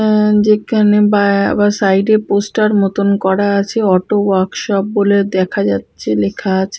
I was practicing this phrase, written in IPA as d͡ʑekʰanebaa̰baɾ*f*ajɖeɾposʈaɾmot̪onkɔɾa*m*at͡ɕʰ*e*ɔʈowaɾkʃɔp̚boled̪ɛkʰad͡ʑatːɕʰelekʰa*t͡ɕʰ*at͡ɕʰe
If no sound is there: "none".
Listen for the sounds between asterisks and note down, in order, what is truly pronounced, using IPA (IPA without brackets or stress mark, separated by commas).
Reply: s, none, e, none